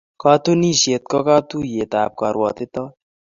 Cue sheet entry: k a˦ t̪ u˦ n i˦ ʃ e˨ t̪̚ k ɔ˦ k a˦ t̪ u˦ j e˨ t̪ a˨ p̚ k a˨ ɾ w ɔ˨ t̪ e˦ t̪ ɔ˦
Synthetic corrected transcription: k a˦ t̪ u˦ n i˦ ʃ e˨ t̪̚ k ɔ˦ k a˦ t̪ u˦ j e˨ t̪ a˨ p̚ k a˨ ɾ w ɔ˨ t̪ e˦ t̪ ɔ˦

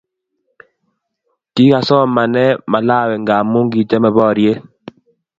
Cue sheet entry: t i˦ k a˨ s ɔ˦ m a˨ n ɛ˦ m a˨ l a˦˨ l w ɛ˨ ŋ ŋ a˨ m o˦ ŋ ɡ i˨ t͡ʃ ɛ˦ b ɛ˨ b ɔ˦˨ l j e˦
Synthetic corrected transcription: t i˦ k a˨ s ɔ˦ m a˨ n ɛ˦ m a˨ l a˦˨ w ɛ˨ ŋ ɡ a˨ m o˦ ŋ ɡ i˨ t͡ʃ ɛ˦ m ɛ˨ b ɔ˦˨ ɾ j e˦

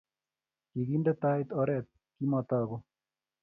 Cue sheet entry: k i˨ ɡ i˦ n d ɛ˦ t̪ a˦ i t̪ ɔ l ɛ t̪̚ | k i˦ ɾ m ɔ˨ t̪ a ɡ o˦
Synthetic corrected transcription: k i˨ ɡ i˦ n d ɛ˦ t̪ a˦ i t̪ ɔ ɾ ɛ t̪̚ | k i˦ m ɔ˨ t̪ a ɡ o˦

